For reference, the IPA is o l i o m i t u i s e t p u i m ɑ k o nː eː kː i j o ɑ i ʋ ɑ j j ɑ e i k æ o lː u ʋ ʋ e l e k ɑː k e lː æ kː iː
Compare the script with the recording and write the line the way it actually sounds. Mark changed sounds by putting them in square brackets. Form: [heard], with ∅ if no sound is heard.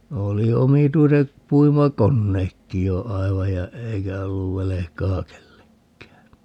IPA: o l i o m i t u i s e t p u i m ɑ k o nː eː kː i j o ɑ i ʋ ɑ j j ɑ e i k æ o lː u ʋ ʋ e l e k ɑː k e lː [e] kː [æː]